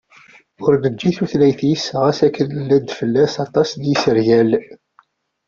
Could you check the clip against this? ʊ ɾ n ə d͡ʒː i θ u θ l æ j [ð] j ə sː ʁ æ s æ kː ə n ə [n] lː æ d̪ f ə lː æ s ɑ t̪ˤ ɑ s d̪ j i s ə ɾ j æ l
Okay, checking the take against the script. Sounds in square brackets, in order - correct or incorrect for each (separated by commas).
incorrect, incorrect